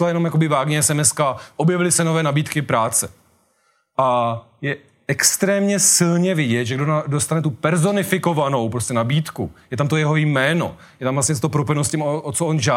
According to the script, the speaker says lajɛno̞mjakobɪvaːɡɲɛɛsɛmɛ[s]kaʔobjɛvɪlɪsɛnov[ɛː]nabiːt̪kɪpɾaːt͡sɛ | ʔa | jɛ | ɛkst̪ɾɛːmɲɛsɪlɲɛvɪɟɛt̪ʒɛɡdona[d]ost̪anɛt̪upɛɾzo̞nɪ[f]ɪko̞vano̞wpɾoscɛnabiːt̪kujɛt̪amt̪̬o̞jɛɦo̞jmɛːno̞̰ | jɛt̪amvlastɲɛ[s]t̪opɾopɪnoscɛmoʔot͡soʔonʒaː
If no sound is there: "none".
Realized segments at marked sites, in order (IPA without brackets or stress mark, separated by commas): s, ɛː, d, f, s